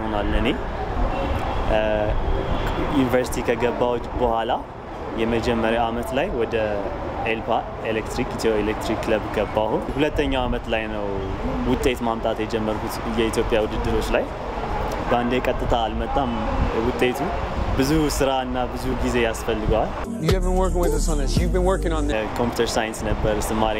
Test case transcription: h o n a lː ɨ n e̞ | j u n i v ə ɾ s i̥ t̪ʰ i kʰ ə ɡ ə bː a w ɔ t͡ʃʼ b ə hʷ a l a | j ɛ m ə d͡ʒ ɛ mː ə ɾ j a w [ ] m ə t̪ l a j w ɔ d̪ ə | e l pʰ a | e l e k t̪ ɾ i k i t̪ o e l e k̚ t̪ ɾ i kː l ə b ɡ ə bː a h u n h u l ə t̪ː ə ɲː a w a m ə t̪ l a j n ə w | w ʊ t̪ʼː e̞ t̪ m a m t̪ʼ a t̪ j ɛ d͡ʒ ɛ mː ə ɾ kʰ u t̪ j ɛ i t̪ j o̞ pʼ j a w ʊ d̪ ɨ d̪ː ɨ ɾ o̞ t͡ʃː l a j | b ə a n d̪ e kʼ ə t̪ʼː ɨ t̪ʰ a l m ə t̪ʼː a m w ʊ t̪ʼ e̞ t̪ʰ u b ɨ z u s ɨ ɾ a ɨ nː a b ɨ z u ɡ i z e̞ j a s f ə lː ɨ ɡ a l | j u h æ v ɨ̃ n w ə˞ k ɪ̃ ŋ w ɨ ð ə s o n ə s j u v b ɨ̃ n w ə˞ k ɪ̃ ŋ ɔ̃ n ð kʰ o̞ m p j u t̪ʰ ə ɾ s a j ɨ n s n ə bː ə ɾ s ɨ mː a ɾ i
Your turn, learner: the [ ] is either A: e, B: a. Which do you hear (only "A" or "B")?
B